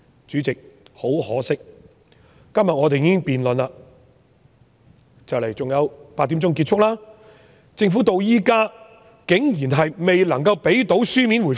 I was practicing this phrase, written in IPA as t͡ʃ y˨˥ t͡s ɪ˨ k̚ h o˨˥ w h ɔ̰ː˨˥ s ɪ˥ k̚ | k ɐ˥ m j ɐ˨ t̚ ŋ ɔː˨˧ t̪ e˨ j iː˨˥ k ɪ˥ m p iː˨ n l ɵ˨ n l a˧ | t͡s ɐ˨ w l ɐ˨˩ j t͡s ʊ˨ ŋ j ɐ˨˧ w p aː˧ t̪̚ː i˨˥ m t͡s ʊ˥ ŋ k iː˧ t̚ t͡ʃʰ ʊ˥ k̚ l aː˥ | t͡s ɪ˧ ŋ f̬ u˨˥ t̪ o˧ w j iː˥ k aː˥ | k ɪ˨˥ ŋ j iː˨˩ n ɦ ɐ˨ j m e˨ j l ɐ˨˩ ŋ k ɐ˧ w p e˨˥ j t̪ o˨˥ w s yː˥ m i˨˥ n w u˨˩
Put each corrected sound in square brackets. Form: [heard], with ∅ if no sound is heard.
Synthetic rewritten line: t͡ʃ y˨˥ t͡s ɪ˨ k̚ h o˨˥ w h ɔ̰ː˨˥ s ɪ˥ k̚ | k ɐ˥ m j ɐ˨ t̚ ŋ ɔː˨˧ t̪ e˨ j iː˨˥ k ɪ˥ [ŋ] p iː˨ n l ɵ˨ n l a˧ | t͡s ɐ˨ w l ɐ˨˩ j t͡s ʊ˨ ŋ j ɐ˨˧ w p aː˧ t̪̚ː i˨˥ m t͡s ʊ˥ ŋ k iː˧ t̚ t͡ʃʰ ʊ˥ k̚ l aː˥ | t͡s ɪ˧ ŋ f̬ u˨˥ t̪ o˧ w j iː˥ k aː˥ | k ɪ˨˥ ŋ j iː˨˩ n ɦ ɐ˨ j m e˨ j l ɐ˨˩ ŋ k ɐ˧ w p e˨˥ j t̪ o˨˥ w s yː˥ m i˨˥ n w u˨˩

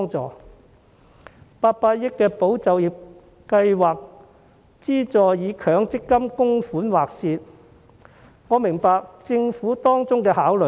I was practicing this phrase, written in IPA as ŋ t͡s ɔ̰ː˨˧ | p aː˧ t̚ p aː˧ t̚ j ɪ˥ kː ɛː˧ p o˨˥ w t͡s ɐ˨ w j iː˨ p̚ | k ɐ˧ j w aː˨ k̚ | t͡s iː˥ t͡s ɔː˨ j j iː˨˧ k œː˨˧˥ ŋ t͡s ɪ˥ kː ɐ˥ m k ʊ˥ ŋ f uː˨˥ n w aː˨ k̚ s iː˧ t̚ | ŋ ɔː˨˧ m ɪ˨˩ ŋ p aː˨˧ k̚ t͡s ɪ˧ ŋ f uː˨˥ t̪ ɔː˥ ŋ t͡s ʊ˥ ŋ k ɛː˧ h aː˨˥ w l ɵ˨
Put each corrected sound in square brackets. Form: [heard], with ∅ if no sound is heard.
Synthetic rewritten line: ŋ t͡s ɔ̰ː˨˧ | p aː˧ t̚ p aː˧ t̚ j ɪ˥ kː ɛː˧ p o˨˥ w t͡s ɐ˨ w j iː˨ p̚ | k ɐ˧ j w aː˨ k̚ | t͡s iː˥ t͡s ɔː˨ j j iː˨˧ [kʰ] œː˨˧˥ ŋ t͡s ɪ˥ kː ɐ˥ m k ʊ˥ ŋ f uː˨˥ n w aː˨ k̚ s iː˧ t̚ | ŋ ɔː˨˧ m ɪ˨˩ ŋ p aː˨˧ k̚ t͡s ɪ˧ ŋ f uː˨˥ t̪ ɔː˥ ŋ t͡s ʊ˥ ŋ k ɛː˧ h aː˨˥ w l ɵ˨

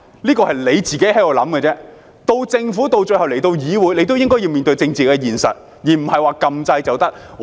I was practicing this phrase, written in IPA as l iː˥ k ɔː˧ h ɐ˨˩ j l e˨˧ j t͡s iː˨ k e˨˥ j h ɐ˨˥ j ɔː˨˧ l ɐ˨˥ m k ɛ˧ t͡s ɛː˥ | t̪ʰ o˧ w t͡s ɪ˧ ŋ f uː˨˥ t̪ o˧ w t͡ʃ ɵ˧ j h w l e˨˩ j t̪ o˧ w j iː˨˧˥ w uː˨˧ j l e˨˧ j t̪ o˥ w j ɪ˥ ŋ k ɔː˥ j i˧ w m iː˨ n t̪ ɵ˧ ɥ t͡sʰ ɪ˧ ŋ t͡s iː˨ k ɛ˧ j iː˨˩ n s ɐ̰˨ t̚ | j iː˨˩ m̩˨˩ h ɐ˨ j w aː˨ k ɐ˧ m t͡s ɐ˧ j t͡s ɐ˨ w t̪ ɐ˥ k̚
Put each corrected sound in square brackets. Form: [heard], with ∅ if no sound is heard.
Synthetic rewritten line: l iː˥ k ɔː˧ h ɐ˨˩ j l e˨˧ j t͡s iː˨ k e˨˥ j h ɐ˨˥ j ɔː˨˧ l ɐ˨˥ m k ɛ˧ t͡s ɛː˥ | [t̪] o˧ w t͡s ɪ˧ ŋ f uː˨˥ t̪ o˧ w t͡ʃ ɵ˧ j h w l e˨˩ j t̪ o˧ w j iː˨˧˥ w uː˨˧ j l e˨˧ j t̪ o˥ w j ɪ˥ ŋ k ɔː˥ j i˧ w m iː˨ n t̪ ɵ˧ ɥ [t͡s] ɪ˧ ŋ t͡s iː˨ k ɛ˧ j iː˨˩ n s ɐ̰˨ t̚ | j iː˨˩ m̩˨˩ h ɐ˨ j w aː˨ k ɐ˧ m t͡s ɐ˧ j t͡s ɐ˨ w t̪ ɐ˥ k̚

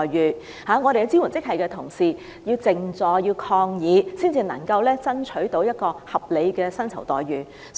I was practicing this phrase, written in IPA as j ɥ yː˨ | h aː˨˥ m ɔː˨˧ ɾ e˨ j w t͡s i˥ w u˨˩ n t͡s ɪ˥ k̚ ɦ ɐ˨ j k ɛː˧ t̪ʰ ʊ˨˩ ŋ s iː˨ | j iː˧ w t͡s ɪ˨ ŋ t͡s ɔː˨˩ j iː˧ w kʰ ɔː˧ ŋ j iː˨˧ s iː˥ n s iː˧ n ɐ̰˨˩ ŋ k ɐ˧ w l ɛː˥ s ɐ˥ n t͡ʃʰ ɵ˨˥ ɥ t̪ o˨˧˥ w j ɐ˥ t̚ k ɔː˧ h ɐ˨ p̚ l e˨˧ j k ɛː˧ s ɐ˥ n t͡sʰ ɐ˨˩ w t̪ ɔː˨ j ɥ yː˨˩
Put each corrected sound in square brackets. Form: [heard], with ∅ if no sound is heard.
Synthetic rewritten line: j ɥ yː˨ | h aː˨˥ [ŋ] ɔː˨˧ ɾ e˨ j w t͡s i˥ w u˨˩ n t͡s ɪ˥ k̚ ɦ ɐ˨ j k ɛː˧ t̪ʰ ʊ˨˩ ŋ s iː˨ | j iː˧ w t͡s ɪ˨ ŋ t͡s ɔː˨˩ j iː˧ w kʰ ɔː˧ ŋ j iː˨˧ s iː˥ n [t͡s] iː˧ n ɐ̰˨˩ ŋ k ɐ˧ w l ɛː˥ [t͡s] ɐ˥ n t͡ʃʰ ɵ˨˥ ɥ t̪ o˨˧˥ w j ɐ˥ t̚ k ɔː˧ h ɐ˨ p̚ l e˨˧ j k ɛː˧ s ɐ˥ n t͡sʰ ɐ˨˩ w t̪ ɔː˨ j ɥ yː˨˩

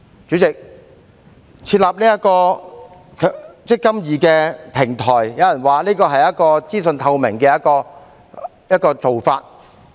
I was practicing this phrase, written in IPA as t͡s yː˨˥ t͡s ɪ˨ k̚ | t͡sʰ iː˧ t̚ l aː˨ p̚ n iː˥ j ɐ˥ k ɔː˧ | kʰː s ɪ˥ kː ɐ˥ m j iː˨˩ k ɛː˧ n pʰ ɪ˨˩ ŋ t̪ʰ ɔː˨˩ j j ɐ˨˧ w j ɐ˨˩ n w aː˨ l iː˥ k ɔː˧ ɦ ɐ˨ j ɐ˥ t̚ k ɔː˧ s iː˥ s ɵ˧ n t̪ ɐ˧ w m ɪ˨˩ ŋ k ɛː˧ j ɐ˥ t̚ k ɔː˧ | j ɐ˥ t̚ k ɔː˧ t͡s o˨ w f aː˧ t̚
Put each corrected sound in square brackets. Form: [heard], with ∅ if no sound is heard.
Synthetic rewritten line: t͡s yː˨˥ t͡s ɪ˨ k̚ | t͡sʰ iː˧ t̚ l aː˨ p̚ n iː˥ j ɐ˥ k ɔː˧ | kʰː [t͡s] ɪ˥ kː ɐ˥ m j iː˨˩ k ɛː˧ [∅] pʰ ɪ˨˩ ŋ t̪ʰ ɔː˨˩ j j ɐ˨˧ w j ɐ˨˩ n w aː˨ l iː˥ k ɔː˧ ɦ ɐ˨ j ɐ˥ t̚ k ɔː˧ [t͡s] iː˥ s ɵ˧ n [t̪ʰ] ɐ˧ w m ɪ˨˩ ŋ k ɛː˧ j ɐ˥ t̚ k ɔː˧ | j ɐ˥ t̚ k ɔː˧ t͡s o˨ w f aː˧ t̚

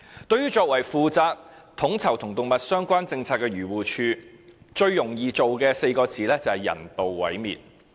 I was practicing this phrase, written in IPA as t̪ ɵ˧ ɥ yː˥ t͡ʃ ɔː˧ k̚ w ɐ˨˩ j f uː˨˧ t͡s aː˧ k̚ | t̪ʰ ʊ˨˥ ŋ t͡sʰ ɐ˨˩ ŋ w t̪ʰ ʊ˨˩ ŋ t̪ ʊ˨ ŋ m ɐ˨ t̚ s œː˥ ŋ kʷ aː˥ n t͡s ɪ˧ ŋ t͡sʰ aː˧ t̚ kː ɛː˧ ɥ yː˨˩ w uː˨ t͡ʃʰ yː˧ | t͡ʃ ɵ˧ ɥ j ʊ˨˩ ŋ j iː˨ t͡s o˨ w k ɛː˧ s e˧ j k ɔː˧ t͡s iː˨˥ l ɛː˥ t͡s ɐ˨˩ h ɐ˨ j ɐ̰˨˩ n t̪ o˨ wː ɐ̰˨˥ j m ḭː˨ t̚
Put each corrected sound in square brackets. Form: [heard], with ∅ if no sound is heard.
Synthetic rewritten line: t̪ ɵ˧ ɥ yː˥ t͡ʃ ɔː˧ k̚ w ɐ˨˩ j f uː˨˧ t͡s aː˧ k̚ | t̪ʰ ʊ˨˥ ŋ t͡sʰ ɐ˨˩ [∅] w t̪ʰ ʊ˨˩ ŋ t̪ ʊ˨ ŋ m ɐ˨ t̚ s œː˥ ŋ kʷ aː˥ n t͡s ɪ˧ ŋ t͡sʰ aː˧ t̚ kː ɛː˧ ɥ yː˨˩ w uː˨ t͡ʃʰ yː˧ | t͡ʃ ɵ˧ ɥ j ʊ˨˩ ŋ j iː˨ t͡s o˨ w k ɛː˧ s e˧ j k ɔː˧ t͡s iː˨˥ l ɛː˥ t͡s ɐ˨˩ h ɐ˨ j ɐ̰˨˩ n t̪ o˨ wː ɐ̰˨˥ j m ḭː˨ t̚

